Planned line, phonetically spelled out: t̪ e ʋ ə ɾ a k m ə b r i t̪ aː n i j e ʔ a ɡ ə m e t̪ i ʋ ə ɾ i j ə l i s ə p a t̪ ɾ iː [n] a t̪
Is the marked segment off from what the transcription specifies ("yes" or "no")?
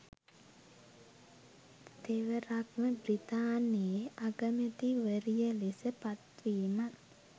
yes